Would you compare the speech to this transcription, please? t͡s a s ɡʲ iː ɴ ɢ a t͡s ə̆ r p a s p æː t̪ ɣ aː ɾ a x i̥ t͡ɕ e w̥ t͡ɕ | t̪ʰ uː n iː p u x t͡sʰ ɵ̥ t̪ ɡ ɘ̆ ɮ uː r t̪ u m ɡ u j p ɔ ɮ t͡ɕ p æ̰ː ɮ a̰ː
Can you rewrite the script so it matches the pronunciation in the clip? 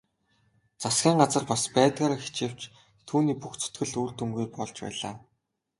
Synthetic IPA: t͡s a s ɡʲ iː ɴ ɢ a t͡s ə̆ r p a s p æː t̪ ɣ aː ɾ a x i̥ t͡ɕ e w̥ t͡ɕ | t̪ʰ uː n iː p u x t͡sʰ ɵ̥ t̪ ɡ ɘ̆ ɮ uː r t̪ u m ɡ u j p ɔ ɮ t͡ɕ p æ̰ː ɮ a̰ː